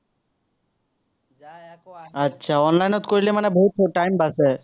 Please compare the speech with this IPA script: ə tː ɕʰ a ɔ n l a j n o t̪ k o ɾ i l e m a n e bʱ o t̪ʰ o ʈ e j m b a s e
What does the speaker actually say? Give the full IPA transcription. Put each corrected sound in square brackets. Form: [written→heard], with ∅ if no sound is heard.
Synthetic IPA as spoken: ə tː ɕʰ a ɔ n l a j n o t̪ k o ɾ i l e m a n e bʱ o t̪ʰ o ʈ [e→a] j m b a s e

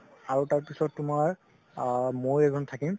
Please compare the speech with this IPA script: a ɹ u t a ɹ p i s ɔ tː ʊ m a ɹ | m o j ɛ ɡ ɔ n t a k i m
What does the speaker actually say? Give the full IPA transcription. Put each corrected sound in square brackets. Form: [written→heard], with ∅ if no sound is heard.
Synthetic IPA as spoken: a ɹ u t a ɹ p i s ɔ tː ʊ m a ɹ | m o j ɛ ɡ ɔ n [t→tʰ] a k i m

